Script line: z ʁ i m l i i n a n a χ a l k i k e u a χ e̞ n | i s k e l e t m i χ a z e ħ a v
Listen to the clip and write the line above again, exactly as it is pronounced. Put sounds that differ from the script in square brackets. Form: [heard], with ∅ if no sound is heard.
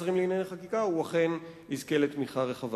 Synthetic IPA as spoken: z ʁ i m l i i n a n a χ a [∅] k i k [a] u a χ e̞ n | i [z] k e l e t m i χ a [ʁ] e [χ] a v